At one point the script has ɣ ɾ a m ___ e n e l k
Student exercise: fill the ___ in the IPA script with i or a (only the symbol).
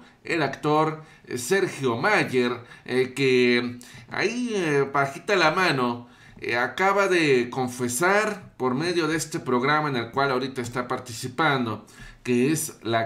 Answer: a